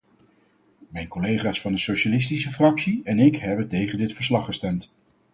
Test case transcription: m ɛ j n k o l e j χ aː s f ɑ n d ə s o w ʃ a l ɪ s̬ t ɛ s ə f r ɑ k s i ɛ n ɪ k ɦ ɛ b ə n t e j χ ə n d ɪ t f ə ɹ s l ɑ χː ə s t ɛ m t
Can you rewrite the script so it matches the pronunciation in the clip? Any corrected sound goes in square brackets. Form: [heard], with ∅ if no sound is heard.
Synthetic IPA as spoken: m ɛ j n k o l e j χ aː s f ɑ n d ə s o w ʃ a l ɪ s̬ t [i] s ə f r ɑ k s i ɛ n ɪ k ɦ ɛ b ə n t e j χ ə n d ɪ t f ə ɹ s l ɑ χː ə s t ɛ m t